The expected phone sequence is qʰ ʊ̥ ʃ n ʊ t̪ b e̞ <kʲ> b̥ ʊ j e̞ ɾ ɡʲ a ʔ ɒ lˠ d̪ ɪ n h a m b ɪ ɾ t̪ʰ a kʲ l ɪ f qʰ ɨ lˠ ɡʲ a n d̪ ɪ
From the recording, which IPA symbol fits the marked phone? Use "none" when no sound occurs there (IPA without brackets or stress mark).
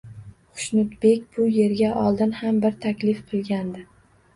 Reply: kʲ